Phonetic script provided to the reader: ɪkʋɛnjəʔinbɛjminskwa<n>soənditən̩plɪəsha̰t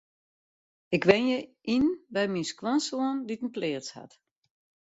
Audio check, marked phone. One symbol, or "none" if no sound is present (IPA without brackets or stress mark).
n